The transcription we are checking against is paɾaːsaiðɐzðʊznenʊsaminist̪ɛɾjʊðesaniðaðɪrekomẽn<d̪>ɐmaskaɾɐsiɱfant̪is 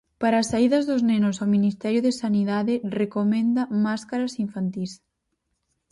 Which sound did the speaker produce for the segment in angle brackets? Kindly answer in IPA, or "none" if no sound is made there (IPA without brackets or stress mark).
d̪